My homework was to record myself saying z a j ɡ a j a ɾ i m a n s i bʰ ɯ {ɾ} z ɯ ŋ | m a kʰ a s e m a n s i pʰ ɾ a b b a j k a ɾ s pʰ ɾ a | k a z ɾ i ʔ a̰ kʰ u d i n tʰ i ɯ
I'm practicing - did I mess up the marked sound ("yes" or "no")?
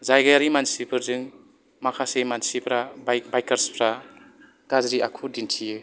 no